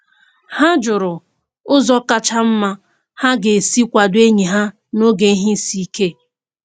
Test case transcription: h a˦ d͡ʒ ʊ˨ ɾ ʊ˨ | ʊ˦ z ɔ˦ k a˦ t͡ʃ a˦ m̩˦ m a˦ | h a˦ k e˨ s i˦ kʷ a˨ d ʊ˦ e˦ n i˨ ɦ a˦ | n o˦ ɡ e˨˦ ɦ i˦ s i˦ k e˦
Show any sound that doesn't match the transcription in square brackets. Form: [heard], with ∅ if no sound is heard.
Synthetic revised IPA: h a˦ d͡ʒ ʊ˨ ɾ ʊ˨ | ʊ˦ z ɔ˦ k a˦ t͡ʃ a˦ m̩˦ m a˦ | h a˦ [ɡ] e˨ s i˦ kʷ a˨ d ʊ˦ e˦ [ɲ] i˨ ɦ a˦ | n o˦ ɡ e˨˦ ɦ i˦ s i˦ k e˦

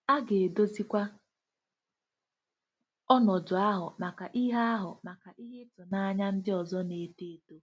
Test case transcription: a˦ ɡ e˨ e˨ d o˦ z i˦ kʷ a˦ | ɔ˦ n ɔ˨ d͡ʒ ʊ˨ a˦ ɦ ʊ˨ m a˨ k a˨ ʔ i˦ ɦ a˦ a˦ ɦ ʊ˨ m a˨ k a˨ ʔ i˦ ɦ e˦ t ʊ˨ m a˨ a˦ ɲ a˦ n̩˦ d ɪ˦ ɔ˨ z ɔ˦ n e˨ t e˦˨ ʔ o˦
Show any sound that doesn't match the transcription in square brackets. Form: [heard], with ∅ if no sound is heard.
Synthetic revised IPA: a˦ ɡ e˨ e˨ d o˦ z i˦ kʷ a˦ | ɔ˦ n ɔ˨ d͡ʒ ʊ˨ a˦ ɦ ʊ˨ m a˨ k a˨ ʔ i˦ ɦ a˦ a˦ ɦ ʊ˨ m a˨ k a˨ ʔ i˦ ɦ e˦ t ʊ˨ [n] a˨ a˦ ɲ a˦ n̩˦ d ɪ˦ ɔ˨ z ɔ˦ n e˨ t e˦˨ [t] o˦

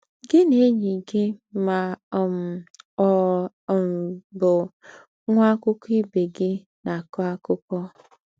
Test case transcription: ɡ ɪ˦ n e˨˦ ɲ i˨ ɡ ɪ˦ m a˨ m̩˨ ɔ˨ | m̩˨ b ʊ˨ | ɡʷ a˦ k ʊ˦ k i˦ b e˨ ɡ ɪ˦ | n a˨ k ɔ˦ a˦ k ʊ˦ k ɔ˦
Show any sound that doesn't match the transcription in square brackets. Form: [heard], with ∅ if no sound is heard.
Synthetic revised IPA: ɡ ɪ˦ n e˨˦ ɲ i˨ ɡ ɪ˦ m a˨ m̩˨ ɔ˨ | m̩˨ b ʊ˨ | [ŋʷ] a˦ k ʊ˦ k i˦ b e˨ ɡ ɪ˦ | n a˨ k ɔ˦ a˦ k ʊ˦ k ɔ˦

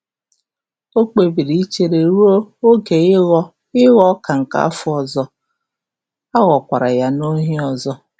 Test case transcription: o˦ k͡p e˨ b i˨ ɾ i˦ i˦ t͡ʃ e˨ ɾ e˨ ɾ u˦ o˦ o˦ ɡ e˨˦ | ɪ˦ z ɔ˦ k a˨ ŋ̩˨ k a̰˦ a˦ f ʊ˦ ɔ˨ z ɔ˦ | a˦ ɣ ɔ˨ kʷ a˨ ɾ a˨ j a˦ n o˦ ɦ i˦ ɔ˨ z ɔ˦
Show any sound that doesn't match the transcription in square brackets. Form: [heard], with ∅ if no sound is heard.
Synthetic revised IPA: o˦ k͡p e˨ b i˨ ɾ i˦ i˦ t͡ʃ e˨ ɾ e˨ ɾ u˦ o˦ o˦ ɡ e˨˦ | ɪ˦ [ɣ] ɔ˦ k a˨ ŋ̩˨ k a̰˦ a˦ f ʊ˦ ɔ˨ z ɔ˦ | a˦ ɣ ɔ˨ kʷ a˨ ɾ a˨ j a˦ n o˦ ɦ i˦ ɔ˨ z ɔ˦

